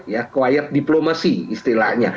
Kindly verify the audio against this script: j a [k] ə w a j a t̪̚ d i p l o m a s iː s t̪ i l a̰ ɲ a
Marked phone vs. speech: correct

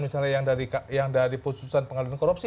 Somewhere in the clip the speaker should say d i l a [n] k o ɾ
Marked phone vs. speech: correct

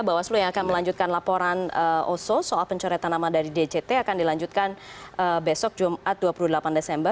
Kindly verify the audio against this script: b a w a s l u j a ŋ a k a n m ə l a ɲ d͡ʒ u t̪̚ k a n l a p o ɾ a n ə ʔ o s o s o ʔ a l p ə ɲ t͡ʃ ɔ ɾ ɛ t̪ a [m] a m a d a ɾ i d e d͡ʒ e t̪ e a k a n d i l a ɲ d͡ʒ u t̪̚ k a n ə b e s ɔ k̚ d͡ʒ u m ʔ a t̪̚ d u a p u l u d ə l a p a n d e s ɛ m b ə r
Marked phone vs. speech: incorrect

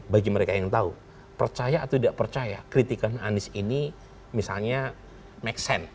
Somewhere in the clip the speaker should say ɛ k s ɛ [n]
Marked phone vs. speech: correct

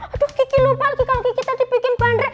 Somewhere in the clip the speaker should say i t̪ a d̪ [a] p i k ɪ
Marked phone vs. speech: incorrect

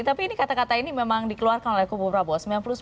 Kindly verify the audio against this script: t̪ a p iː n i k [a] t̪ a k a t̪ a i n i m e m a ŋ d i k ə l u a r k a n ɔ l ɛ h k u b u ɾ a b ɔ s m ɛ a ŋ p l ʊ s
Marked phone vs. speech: correct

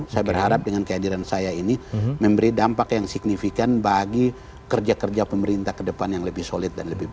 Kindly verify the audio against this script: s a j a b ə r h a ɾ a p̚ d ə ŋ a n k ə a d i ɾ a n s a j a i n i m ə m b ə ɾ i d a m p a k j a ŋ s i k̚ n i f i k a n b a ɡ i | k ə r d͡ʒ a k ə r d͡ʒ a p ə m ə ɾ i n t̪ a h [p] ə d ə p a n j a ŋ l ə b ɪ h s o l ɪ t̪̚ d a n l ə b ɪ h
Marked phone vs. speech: incorrect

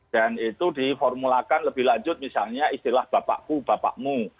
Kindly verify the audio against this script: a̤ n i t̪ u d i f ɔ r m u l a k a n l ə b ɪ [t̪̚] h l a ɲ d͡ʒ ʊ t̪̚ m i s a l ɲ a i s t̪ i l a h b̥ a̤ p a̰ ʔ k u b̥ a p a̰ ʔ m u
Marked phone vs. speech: incorrect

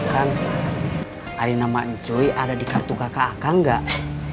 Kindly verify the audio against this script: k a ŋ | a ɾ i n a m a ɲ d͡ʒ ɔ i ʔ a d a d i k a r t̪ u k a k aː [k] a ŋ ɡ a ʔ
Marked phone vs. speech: correct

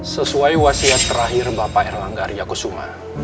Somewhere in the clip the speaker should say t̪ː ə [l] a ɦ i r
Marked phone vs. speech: incorrect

